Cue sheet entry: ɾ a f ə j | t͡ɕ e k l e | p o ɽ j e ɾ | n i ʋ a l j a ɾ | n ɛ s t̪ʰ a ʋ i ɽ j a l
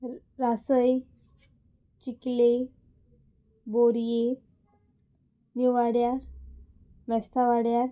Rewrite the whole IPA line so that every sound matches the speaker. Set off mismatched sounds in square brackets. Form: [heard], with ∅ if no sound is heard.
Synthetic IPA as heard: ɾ a [s] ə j | t͡ɕ [i] k l e | [b] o [ɾ] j e [∅] | n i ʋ a [ɽ] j a ɾ | [m] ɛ s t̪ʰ a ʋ [a] ɽ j a [ɾ]

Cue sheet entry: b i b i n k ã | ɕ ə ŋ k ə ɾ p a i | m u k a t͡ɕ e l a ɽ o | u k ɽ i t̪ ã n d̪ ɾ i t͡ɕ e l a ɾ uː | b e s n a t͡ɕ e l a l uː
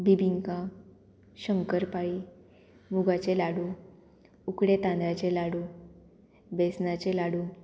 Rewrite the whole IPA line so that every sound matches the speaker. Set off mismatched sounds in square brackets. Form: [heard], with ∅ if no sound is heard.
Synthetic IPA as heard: b i b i [ŋ] k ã | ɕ ə ŋ k ə ɾ p a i | m u [ɡ] a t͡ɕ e l a ɽ [u] | u k ɽ [e] t̪ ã n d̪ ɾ [a] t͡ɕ e l a [ɽ] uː | b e s n a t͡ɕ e l a [ɽ] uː

